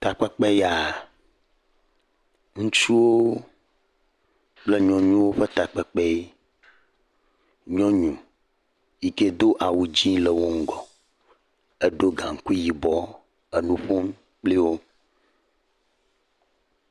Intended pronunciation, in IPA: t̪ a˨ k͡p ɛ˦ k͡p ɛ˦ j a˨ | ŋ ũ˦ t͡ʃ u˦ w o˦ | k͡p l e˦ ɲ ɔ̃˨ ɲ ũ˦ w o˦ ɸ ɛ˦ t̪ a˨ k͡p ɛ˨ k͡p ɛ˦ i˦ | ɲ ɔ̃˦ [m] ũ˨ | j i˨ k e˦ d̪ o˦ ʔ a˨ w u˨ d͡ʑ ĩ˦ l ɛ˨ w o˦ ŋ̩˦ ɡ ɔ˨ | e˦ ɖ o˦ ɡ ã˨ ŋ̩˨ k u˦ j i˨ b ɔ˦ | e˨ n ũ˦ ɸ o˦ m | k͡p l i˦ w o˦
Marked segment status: incorrect: ɲ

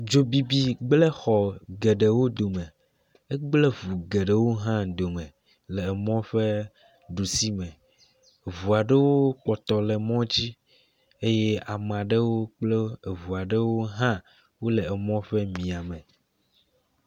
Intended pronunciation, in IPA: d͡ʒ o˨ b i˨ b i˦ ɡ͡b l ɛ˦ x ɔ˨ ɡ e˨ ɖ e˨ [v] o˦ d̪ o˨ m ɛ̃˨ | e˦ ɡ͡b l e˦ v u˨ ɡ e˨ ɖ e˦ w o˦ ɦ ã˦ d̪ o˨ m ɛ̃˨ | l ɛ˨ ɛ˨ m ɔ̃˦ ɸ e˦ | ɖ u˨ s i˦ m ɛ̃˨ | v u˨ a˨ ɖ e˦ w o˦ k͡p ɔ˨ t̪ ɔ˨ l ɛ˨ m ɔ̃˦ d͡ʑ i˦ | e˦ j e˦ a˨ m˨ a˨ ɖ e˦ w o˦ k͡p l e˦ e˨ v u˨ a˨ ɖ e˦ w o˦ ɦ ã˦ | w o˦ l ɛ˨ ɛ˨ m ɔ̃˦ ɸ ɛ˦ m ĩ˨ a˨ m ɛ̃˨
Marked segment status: incorrect: w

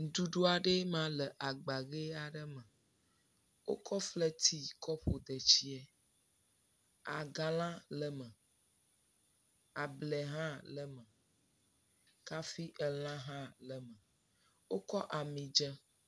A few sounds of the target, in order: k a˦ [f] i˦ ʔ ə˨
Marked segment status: correct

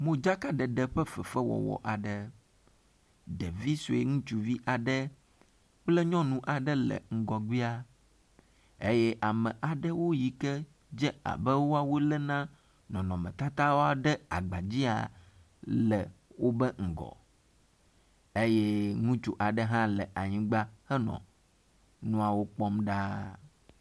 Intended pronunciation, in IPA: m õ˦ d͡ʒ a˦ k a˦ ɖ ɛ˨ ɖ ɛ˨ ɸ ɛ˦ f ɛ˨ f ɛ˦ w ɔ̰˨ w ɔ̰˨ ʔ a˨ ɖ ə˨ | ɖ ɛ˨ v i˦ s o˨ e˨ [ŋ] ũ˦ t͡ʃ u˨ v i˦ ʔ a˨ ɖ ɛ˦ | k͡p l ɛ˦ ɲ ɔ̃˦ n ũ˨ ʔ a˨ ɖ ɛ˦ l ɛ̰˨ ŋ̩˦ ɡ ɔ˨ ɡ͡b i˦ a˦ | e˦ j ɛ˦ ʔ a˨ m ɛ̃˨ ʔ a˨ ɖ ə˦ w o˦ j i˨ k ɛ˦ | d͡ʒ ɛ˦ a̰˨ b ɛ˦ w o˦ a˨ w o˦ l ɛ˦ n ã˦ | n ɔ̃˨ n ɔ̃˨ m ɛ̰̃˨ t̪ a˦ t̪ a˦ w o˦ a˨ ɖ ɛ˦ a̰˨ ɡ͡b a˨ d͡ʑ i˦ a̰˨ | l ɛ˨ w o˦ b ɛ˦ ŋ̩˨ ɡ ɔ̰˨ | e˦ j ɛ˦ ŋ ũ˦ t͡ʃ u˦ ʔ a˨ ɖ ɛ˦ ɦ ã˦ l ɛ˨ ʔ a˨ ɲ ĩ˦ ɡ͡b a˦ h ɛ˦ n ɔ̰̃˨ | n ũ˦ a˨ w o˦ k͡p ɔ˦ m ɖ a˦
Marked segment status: correct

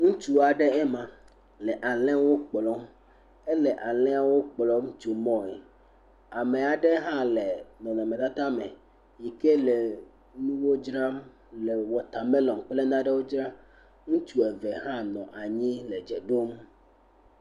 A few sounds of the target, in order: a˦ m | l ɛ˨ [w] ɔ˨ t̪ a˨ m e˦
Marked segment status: correct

